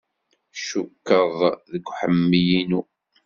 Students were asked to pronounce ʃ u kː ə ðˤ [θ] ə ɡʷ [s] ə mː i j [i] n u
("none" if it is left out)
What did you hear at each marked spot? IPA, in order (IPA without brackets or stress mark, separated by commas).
ð, ħ, i